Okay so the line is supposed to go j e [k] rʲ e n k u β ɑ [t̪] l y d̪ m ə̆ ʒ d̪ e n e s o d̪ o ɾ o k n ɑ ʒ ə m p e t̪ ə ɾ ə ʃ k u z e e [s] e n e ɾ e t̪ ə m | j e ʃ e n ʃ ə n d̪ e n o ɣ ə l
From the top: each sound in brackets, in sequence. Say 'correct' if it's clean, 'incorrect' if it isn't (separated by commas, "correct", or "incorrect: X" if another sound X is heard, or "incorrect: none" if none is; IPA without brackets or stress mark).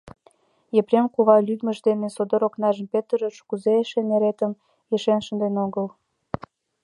incorrect: p, incorrect: none, incorrect: ʃ